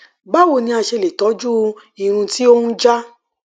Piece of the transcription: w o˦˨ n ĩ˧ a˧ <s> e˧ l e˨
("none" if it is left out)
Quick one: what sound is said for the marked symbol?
ʃ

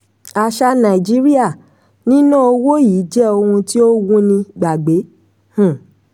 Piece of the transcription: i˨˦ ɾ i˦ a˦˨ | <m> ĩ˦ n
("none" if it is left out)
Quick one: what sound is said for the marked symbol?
n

